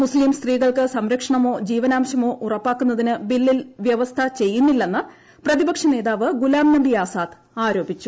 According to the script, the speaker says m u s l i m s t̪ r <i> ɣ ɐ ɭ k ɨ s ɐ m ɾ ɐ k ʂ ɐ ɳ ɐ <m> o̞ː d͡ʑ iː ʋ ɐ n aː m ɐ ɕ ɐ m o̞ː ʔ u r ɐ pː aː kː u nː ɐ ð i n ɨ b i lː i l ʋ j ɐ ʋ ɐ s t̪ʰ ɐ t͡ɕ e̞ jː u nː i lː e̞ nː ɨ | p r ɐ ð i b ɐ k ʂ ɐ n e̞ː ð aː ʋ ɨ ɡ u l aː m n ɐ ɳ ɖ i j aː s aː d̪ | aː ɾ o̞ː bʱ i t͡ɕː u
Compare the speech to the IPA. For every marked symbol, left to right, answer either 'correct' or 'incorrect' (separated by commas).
incorrect, correct